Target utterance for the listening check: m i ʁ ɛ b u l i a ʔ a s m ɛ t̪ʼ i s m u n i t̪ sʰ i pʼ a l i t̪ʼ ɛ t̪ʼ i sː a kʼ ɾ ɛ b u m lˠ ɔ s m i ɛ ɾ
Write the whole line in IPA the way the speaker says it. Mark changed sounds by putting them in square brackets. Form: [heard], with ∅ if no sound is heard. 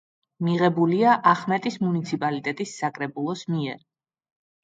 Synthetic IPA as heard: m i ʁ ɛ b u l i a ʔ a [χ] m ɛ t̪ʼ i s m u n i t̪ sʰ i pʼ a l i t̪ʼ ɛ t̪ʼ i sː a kʼ ɾ ɛ b u [∅] lˠ ɔ s m i ɛ ɾ